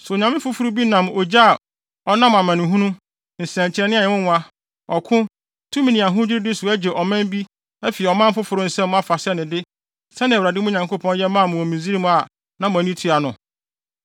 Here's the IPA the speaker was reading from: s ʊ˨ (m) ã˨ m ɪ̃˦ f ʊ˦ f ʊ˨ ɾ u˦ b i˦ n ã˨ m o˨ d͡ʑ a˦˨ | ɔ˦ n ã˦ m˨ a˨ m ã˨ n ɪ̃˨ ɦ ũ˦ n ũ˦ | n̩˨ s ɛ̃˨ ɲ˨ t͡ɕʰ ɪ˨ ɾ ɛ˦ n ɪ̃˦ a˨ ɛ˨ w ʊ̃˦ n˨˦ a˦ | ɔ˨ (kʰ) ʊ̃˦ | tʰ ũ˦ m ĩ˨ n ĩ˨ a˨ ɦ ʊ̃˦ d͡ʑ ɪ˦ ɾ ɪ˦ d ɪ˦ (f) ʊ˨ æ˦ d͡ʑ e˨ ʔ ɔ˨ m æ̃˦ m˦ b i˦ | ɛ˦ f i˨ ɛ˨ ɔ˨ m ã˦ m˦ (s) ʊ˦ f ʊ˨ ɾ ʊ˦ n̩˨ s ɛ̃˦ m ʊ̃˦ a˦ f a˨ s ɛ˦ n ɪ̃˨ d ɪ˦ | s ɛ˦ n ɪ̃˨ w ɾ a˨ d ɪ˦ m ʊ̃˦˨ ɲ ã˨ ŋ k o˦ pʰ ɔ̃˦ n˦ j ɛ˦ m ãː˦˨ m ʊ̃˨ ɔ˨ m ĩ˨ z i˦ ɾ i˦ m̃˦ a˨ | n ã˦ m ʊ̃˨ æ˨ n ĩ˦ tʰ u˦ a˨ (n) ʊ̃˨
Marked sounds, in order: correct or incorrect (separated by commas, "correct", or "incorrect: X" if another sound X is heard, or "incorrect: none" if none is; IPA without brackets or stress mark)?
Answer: incorrect: ɲ, correct, incorrect: s, incorrect: f, correct